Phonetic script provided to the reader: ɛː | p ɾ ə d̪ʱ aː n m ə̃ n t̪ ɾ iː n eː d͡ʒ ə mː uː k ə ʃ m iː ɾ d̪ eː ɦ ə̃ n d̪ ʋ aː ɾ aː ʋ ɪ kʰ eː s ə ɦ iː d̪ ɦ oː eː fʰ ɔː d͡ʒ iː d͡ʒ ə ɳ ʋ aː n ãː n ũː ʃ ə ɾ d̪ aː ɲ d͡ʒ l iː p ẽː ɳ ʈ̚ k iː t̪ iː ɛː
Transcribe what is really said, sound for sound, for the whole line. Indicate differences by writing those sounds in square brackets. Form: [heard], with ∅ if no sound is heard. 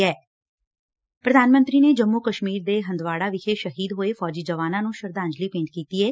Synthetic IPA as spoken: ɛː | p ɾ ə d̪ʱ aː n m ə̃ n t̪ ɾ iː n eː d͡ʒ ə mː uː k ə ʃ m iː ɾ d̪ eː ɦ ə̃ n d̪ ʋ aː [ɽ] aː ʋ ɪ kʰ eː [ʃ] ə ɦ iː d̪ ɦ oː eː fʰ ɔː d͡ʒ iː d͡ʒ ə [∅] ʋ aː n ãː n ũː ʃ ə ɾ d̪ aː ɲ d͡ʒ l iː p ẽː ɳ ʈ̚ k iː t̪ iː ɛː